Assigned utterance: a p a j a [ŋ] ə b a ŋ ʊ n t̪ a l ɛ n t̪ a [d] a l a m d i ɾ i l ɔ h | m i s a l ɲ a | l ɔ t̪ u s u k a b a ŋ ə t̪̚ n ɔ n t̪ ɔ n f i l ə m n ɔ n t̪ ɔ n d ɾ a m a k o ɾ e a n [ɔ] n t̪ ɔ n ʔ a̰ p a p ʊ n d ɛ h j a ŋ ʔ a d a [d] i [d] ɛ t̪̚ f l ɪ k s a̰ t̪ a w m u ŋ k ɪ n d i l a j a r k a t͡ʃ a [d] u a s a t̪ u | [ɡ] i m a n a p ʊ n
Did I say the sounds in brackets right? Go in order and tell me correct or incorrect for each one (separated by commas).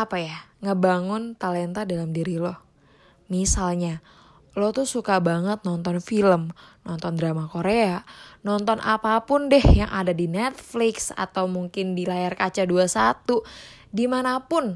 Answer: correct, correct, correct, correct, incorrect, correct, incorrect